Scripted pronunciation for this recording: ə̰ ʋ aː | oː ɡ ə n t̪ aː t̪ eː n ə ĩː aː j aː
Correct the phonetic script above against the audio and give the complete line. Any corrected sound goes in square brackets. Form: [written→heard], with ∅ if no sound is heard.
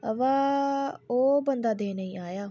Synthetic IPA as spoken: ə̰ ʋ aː | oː [ɡ→b] ə n [t̪→d̪] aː [t̪→d̪] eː n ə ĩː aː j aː